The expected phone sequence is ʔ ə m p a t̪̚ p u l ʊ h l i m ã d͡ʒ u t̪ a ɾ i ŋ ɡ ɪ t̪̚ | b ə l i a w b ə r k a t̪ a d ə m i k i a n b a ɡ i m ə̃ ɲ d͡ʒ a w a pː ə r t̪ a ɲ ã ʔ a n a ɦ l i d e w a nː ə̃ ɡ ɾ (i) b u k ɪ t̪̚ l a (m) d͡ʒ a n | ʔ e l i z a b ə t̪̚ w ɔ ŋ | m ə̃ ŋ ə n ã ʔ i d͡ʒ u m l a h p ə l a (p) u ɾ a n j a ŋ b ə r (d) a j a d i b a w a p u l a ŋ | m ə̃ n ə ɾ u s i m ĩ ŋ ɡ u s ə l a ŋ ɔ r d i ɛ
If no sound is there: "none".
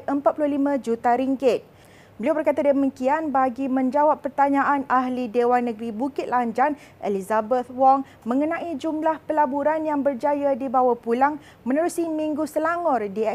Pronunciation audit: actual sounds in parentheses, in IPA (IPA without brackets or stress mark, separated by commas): i, ɲ, b, d͡ʒ